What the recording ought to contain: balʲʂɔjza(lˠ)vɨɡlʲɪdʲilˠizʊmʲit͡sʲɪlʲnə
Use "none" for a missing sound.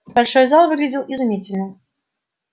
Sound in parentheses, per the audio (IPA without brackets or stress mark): lˠ